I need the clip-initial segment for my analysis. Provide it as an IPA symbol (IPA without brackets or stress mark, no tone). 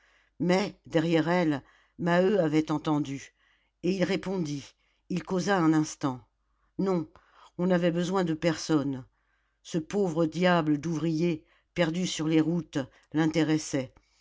m